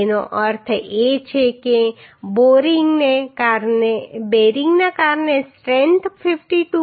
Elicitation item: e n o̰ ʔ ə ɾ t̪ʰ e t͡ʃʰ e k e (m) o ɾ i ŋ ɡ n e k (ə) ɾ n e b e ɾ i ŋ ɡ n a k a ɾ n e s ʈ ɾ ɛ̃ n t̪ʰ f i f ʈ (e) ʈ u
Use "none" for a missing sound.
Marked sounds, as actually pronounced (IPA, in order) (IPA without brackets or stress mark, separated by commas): b, a, i